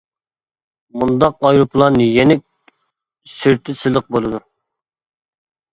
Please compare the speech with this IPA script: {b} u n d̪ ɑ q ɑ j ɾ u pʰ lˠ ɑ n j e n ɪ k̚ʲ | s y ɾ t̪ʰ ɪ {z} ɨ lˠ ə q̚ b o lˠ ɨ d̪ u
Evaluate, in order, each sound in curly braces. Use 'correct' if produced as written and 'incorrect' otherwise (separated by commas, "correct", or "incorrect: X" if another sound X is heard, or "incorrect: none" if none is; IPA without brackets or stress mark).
incorrect: m, incorrect: s